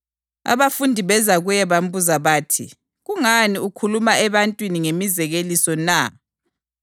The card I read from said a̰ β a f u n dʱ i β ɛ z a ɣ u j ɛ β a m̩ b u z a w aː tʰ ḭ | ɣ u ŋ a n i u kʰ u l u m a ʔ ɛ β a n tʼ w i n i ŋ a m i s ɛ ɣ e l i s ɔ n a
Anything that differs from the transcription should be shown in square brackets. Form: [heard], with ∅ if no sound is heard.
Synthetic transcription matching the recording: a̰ β a f u n dʱ i β ɛ z a ɣ u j ɛ β a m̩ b u z a [β] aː tʰ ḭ | ɣ u ŋ a n i u kʰ u l u m a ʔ ɛ β a n tʼ w i n i ŋ [e] m i [z] ɛ ɣ e l i s ɔ n a